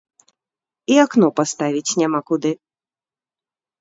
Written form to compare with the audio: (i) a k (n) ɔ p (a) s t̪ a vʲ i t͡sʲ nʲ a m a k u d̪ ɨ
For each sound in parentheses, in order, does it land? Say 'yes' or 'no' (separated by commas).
yes, yes, yes